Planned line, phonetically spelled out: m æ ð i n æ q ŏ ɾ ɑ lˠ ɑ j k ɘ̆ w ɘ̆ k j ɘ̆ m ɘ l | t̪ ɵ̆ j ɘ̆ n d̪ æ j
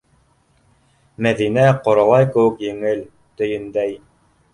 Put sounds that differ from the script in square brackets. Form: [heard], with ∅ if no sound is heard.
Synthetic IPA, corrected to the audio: m æ ð i n æ q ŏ ɾ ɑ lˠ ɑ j k ɘ̆ w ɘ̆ k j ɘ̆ [ŋ] ɘ l | t̪ ɵ̆ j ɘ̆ n d̪ æ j